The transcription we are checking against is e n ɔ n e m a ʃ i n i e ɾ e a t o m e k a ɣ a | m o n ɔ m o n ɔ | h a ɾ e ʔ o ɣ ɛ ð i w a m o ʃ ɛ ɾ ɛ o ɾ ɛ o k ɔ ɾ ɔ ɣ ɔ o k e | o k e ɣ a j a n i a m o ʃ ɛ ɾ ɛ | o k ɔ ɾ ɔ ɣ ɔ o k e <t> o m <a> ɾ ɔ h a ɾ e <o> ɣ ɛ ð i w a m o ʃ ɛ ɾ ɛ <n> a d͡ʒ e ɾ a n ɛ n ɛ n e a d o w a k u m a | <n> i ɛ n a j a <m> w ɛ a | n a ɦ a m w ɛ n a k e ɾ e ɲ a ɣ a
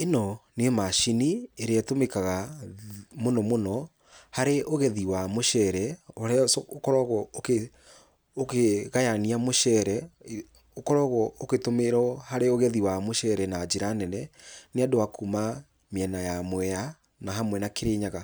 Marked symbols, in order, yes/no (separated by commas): yes, no, yes, yes, no, yes